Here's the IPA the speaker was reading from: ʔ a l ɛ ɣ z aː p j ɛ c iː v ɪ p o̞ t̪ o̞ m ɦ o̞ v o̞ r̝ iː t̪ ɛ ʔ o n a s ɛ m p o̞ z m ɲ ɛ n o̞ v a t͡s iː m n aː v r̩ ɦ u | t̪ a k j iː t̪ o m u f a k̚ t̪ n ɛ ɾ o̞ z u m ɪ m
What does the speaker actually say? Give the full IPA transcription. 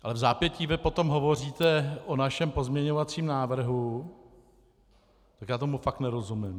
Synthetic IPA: ʔ a l ɛ v z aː p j ɛ c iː v ɪ p o̞ t̪ o̞ m ɦ o̞ v o̞ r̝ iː t̪ ɛ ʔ o n a ʃ ɛ m p o̞ z m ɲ ɛ ɲ o̞ v a t͡s iː m n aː v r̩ ɦ u | t̪ a k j aː t̪ o m u f a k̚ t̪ n ɛ ɾ o̞ z u m ɪ m